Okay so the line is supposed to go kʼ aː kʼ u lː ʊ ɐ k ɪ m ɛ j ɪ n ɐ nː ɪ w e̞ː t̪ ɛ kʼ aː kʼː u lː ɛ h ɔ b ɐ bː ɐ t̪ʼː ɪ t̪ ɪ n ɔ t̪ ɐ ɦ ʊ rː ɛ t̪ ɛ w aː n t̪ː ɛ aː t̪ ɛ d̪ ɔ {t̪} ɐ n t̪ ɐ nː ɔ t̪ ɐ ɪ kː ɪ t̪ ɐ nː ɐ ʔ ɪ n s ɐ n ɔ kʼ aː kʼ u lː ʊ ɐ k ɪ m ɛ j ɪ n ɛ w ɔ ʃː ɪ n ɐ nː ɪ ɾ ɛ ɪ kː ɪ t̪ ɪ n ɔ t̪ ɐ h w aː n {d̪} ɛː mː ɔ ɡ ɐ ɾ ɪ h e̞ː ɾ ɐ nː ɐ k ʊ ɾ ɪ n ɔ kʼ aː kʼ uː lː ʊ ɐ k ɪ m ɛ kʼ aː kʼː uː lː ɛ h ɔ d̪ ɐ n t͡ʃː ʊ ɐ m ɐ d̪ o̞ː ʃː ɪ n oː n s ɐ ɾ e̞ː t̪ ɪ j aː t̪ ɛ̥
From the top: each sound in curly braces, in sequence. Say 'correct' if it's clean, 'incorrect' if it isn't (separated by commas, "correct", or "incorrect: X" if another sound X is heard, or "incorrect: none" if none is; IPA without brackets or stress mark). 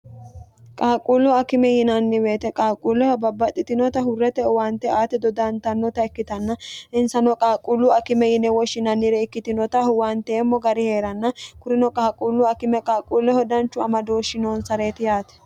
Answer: incorrect: d̪, incorrect: t̪